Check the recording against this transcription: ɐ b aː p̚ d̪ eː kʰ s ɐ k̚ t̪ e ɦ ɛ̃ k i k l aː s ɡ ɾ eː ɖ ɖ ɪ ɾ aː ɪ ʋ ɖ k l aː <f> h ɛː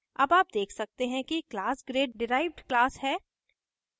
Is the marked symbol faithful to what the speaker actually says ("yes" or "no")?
no